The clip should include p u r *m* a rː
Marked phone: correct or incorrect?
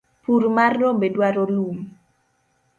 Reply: correct